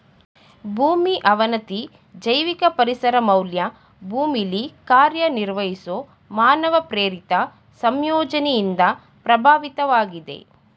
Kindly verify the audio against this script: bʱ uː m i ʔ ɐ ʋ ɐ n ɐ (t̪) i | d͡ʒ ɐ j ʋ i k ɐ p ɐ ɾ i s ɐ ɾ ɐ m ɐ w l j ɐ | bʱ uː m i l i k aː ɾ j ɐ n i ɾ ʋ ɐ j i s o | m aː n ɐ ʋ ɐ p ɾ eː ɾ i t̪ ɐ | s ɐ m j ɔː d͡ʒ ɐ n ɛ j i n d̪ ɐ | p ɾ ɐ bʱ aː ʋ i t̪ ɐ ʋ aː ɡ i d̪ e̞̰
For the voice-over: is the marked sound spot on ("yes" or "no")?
yes